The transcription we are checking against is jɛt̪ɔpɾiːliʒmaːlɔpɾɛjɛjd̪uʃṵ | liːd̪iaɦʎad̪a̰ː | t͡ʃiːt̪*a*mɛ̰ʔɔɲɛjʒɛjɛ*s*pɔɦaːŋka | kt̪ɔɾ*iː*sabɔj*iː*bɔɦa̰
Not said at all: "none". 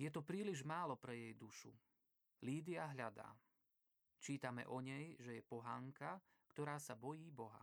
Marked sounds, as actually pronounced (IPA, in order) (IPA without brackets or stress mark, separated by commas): a, none, aː, iː